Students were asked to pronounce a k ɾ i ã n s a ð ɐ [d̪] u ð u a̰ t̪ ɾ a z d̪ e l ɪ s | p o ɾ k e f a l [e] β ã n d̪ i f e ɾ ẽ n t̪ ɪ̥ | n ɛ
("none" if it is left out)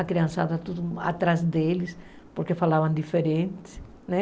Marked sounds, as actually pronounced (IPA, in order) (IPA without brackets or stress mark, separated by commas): t̪, a